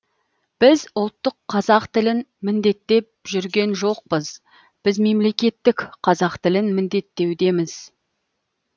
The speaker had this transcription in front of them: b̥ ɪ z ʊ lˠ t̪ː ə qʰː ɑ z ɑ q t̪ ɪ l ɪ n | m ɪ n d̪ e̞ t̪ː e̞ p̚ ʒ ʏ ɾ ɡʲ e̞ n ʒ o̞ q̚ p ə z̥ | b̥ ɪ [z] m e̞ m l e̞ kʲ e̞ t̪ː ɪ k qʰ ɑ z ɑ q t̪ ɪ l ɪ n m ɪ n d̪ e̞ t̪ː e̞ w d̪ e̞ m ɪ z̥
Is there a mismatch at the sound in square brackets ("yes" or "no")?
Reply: no